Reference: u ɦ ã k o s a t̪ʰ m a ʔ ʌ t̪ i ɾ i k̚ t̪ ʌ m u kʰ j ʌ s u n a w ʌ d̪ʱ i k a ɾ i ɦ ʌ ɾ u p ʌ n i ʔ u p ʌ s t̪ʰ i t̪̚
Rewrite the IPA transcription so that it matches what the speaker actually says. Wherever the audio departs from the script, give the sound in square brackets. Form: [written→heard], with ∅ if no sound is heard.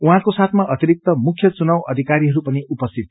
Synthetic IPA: u ɦ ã k o s a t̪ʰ m a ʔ ʌ t̪ i ɾ i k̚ t̪ ʌ m u kʰ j ʌ [s→t͡s] u n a w ʌ d̪ʱ i k a ɾ i ɦ ʌ ɾ u p ʌ n i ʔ u p ʌ s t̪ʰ i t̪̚